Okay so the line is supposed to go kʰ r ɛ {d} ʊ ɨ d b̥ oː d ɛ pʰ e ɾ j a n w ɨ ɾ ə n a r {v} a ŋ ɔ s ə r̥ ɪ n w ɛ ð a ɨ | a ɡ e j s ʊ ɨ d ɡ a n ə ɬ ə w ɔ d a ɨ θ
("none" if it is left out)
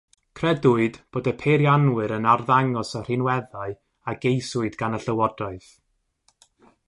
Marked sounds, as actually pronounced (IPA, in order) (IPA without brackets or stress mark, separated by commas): d, ð